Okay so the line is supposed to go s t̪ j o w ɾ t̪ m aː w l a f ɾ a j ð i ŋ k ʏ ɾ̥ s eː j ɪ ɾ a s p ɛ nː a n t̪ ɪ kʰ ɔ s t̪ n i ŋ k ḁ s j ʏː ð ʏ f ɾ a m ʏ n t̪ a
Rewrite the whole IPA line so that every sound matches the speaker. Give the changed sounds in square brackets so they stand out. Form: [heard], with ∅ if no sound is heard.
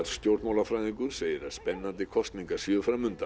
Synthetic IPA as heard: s t̪ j o w ɾ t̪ m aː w l a f ɾ a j ð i ŋ k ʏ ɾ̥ s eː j ɪ ɾ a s p ɛ nː a n t̪ ɪ kʰ ɔ s t̪ n i ŋ k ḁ s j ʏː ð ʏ f ɾ a m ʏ n t̪ a